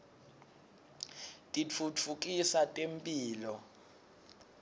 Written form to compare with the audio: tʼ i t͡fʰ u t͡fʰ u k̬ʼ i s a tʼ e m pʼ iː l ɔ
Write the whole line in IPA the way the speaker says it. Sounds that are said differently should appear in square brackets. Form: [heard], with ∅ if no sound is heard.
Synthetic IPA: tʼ i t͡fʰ u t͡fʰ u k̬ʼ i s a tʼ e m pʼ iː l ɔ

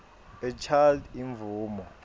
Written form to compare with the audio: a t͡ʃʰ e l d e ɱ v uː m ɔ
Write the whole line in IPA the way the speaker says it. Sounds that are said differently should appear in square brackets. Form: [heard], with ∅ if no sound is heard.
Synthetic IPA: [ɛ] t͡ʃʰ [a] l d [i] ɱ v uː m ɔ

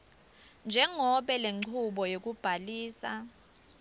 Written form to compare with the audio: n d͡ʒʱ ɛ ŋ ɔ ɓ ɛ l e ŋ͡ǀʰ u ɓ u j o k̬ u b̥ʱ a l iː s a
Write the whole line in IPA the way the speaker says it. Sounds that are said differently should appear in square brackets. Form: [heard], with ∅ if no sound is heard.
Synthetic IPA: n d͡ʒʱ ɛ ŋ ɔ ɓ ɛ l e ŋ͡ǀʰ u ɓ [ɔ] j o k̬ u b̥ʱ a l iː s a

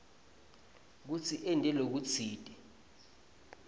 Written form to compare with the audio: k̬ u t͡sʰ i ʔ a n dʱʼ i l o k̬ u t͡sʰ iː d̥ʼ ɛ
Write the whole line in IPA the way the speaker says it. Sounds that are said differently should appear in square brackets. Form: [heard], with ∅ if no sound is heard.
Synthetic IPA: k̬ u t͡sʰ i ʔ [ɛ] n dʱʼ [ɛ] l o k̬ u t͡sʰ iː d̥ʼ ɛ

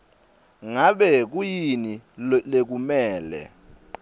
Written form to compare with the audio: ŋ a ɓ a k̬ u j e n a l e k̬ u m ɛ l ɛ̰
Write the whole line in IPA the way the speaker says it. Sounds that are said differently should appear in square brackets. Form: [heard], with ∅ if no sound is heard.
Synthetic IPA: ŋ a ɓ [ɛ] k̬ u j [i] n [i] l e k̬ u m [ɛː] l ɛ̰

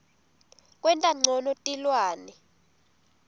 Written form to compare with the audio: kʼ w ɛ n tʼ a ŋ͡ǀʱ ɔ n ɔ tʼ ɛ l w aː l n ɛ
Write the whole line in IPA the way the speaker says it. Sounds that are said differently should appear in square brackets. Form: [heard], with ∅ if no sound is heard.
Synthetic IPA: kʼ w ɛ n tʼ a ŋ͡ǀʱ ɔ n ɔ tʼ [i] l w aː [∅] n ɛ

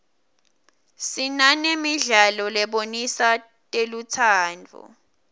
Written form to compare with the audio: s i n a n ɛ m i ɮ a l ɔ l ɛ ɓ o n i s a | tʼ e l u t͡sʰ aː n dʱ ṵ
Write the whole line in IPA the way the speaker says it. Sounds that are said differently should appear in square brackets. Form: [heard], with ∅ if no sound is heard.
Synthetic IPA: s i n a n [e] m i ɮ a l ɔ l ɛ ɓ o n i s a | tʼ e l u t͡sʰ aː n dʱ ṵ

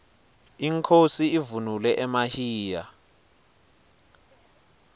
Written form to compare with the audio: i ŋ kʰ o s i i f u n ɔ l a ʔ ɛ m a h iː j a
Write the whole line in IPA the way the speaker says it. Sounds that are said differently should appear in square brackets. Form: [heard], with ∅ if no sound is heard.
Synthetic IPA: i ŋ kʰ o s i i [v] u n [u] l [ɛ] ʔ ɛ m a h iː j a

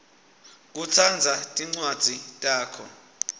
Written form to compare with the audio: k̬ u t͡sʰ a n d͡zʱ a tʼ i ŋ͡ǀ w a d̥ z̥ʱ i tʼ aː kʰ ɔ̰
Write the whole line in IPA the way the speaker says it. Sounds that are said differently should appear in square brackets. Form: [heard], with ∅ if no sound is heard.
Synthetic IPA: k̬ u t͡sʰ a n d͡zʱ a tʼ i ŋ͡ǀ w a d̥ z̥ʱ i tʼ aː kʰ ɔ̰

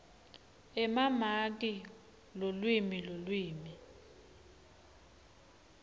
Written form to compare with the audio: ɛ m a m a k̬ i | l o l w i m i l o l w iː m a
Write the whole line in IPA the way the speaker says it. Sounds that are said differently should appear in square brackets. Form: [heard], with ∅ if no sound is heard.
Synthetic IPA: ɛ m a m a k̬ i | l o l w i m i l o l w iː m [i]

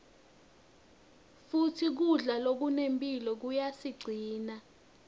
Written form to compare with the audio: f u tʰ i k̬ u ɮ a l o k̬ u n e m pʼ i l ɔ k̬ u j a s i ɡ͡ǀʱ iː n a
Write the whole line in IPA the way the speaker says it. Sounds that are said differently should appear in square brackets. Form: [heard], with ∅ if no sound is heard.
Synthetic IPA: f u tʰ i k̬ u ɮ a l o k̬ u n e m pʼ i l ɔ k̬ u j a s i ɡ͡ǀʱ iː n a

